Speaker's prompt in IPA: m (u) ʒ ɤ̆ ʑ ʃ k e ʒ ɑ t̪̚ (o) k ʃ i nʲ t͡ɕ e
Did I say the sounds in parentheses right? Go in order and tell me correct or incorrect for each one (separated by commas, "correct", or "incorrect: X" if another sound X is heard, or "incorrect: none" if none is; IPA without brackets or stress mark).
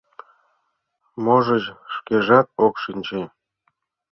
incorrect: o, correct